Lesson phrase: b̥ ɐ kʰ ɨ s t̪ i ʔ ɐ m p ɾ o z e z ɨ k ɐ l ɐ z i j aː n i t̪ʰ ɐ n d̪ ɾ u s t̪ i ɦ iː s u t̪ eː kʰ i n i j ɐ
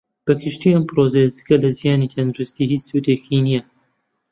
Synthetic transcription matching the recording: b̥ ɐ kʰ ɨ ʃ t̪ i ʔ ɐ m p ɾ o z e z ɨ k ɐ l ɐ z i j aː n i t̪ʰ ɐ n d̪ ɾ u s t̪ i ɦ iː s u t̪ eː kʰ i n i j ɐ

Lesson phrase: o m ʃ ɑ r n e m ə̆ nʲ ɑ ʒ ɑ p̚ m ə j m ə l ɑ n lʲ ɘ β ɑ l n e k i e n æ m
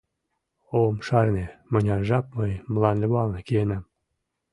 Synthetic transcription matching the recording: o m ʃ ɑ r n e m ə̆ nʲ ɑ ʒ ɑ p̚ m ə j m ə l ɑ n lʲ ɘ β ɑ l n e k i e n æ m

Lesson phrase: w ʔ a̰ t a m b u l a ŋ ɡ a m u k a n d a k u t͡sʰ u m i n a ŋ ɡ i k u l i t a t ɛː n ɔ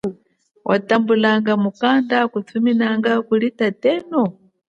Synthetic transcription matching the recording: w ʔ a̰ t a m b u l a ŋ ɡ a m u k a n d a k u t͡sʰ u m i n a ŋ ɡ a k u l i t a t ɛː n ɔ

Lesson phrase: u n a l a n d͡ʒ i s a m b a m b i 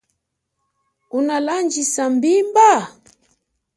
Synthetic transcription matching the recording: u n a l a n d͡ʒ i s a m b i m b a

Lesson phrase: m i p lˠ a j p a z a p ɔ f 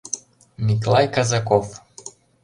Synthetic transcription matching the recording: m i k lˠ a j k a z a k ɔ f

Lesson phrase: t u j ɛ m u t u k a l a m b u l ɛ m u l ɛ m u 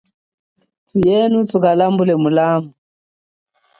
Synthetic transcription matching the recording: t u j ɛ n u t u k a l a m b u l ɛ m u l a m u

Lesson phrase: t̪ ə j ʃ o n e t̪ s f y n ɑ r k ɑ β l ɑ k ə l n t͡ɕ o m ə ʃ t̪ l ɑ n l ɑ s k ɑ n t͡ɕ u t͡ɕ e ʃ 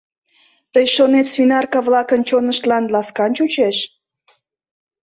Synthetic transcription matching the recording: t̪ ə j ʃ o n e t̪ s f i n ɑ r k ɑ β l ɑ k ə n t͡ɕ o n ə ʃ t̪ l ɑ n l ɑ s k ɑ n t͡ɕ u t͡ɕ e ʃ

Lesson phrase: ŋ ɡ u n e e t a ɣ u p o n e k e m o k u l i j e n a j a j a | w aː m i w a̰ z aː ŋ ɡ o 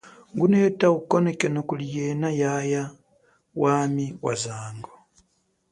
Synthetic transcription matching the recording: ŋ ɡ u n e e t a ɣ u k o n e k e n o k u l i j e n a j a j a | w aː m i w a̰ z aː ŋ ɡ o

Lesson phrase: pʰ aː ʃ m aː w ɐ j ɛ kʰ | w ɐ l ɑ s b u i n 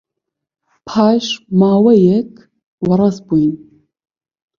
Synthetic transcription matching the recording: pʰ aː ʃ m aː w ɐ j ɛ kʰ | w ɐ ɾ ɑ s b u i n

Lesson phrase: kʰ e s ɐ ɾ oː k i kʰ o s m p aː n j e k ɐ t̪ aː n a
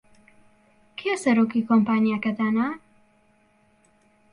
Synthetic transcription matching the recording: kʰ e s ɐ ɾ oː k i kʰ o m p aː n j a k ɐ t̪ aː n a

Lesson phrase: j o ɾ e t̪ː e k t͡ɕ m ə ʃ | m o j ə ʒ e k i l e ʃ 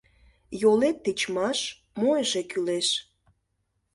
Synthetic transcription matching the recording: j o l e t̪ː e t͡ɕ m ɑ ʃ | m o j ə ʒ e k y l e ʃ

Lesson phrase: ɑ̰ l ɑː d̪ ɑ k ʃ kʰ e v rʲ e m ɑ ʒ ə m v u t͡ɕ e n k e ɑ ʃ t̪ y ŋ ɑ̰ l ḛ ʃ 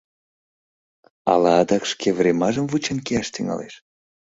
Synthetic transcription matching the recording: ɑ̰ l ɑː d̪ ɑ k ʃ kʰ e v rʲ e m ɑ ʒ ə m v u t͡ɕ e n k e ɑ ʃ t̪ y ŋ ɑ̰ l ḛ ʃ

